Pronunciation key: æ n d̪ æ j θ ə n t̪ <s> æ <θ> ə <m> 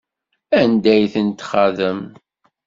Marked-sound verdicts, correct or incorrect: incorrect, incorrect, correct

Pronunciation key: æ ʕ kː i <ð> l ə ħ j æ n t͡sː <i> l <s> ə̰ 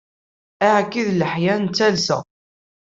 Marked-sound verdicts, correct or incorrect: correct, incorrect, correct

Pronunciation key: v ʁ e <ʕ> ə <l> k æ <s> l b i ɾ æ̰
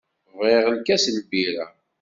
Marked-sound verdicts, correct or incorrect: incorrect, correct, correct

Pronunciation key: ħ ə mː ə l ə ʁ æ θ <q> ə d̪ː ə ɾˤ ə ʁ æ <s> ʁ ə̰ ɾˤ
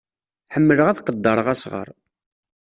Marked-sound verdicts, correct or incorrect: correct, correct

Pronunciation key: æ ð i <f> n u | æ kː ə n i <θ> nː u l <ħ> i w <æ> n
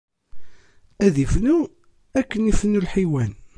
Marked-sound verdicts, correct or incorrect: correct, incorrect, correct, correct

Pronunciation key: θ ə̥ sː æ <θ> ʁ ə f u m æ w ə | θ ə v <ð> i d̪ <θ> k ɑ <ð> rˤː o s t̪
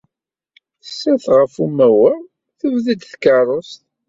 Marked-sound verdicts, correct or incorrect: correct, correct, correct, incorrect

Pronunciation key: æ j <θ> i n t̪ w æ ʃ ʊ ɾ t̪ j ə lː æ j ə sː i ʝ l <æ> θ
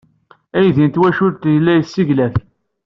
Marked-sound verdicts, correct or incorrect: incorrect, correct

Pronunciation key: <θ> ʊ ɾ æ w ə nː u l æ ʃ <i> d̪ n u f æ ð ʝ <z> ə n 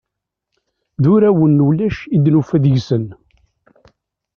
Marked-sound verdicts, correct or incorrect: incorrect, correct, incorrect

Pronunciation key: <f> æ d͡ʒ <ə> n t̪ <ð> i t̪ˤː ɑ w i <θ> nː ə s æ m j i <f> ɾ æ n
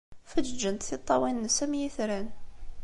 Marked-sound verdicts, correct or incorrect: correct, correct, incorrect, incorrect, incorrect

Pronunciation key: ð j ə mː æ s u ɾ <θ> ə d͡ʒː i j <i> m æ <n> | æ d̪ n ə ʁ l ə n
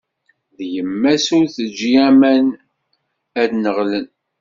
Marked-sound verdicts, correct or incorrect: correct, incorrect, correct

